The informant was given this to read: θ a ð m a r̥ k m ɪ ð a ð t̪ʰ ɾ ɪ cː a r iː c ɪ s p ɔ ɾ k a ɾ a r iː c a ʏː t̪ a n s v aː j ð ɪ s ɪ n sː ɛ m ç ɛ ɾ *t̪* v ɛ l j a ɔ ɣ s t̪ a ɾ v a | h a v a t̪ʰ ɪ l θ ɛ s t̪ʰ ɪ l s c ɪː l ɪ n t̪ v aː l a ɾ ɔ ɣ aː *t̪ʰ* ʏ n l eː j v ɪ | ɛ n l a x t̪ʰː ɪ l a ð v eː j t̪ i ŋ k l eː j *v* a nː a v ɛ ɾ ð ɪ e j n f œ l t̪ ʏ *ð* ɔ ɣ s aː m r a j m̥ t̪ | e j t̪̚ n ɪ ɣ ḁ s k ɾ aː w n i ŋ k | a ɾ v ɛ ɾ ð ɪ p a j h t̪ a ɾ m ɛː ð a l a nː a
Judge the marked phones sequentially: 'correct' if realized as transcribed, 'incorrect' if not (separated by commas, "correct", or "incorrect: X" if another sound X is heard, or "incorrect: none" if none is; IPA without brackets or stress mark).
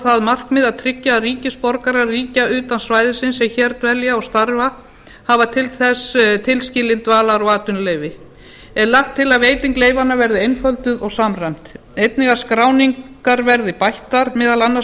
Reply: correct, incorrect: t̪, correct, correct